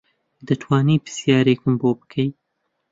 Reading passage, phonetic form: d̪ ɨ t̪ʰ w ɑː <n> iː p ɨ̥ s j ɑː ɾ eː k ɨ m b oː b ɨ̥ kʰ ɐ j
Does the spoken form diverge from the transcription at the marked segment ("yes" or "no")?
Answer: no